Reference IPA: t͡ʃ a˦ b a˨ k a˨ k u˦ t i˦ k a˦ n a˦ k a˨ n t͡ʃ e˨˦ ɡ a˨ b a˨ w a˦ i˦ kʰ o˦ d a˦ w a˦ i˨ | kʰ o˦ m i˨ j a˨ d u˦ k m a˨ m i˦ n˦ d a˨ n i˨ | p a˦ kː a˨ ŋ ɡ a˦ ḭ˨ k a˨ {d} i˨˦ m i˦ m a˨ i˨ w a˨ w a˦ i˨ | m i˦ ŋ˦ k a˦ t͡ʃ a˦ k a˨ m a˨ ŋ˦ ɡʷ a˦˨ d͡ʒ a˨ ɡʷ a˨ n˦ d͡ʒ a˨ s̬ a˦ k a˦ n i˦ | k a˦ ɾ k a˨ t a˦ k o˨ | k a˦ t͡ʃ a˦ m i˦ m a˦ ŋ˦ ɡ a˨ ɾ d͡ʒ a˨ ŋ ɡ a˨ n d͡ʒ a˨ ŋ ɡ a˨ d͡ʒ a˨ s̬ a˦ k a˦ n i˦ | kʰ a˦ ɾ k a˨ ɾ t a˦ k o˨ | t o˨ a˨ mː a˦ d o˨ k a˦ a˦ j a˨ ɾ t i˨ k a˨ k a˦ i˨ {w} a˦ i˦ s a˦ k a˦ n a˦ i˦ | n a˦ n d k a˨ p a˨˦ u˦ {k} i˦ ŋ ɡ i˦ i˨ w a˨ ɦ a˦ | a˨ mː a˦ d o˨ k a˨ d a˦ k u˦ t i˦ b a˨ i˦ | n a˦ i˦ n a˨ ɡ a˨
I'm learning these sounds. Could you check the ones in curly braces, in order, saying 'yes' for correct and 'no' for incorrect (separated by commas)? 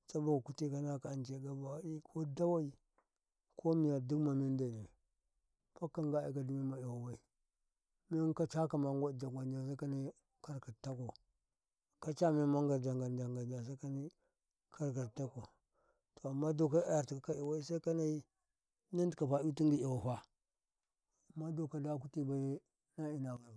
yes, yes, no